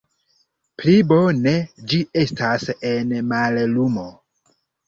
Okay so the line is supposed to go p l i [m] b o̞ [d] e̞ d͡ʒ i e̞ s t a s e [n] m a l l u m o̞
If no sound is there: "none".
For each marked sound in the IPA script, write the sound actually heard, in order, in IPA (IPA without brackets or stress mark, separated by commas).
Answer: none, n, n